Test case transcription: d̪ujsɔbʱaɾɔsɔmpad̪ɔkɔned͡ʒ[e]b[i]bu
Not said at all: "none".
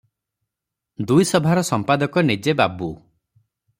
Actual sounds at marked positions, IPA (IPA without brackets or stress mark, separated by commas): e, a